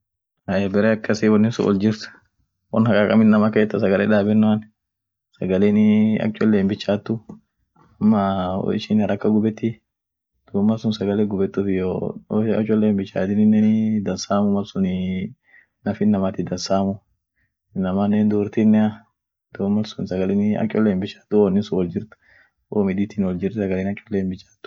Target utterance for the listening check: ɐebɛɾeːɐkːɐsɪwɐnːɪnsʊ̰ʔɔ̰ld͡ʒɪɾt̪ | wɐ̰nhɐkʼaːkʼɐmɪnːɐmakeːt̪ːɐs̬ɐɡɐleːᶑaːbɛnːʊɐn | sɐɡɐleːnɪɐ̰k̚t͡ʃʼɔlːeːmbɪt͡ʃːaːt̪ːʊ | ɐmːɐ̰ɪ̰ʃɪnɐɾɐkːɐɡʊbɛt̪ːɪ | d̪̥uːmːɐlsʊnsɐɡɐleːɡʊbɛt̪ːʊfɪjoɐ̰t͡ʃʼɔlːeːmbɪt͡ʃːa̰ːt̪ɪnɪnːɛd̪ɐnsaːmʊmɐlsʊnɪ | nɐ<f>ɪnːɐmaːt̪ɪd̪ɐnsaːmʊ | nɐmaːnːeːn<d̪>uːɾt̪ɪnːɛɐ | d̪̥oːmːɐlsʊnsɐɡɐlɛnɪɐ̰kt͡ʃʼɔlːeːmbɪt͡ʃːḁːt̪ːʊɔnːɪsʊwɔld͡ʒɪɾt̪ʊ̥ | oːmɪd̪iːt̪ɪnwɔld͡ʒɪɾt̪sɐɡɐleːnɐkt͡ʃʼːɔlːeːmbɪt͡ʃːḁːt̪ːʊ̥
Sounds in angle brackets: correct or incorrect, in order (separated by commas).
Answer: correct, correct